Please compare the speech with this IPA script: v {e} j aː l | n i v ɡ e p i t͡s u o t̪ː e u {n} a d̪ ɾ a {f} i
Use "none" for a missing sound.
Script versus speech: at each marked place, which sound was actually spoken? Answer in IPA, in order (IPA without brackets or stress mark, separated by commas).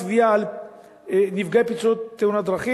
i, n, χ